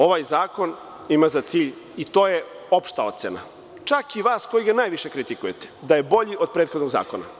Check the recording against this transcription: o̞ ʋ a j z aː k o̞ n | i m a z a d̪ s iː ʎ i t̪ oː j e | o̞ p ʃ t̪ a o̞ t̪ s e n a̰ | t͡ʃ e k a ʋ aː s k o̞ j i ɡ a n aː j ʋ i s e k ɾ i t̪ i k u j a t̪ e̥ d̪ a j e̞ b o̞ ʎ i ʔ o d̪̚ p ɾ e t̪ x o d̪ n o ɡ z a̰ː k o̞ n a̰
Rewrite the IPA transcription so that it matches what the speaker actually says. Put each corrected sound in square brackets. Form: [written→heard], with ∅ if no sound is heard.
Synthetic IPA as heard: o̞ ʋ a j z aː k o̞ n | i m a z a [d̪→t̪] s iː ʎ i t̪ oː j e | o̞ p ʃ t̪ a o̞ t̪ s e n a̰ | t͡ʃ [e→a] k [a→i] ʋ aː s k o̞ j i ɡ a n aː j ʋ i [s→ʃ] e k ɾ i t̪ i k u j [a→e] t̪ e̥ d̪ a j e̞ b o̞ ʎ i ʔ o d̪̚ p ɾ e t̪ x o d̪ n o ɡ z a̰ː k o̞ n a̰